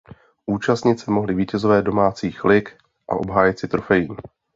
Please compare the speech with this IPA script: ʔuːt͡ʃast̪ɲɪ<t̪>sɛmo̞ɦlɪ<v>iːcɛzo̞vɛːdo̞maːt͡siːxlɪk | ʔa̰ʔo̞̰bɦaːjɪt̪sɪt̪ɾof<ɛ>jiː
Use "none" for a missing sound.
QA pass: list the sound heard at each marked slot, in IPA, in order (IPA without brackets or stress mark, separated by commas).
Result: t̪, v, ɛ